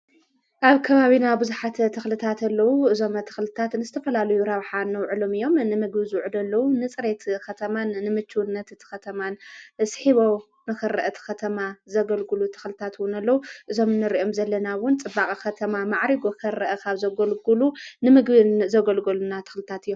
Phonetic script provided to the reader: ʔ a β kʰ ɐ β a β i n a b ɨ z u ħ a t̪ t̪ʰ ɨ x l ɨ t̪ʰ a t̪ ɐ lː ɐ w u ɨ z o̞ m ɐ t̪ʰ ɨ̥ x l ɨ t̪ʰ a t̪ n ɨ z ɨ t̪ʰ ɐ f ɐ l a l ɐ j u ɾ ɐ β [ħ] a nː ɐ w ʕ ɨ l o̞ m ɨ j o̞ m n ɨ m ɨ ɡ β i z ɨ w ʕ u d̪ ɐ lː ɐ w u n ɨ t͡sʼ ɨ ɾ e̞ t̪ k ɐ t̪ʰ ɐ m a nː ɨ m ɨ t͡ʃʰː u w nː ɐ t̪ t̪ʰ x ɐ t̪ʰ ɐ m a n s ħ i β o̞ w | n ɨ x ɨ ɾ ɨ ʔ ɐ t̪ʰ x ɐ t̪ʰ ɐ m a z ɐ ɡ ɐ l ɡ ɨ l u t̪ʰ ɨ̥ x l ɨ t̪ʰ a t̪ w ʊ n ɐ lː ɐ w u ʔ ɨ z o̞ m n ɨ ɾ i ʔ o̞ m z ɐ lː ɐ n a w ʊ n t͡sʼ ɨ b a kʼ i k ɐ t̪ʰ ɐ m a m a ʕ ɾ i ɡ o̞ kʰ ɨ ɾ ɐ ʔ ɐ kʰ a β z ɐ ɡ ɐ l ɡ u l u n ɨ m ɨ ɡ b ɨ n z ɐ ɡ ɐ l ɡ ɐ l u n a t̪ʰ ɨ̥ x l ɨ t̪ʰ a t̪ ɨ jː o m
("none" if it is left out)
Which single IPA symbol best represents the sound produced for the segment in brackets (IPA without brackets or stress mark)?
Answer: ħ